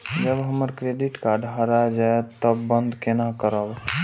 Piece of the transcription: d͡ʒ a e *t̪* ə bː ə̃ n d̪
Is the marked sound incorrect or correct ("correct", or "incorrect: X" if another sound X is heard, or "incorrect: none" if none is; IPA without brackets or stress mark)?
correct